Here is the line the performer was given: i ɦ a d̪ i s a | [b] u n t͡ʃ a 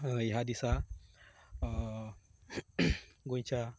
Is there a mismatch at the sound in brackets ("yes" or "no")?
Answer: yes